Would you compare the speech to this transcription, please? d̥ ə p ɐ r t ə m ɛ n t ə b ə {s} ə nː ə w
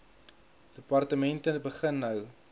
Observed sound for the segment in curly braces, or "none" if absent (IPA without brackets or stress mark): χ